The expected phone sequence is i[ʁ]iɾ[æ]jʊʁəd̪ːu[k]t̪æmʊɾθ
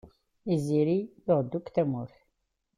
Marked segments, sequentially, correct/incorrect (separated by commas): incorrect, incorrect, correct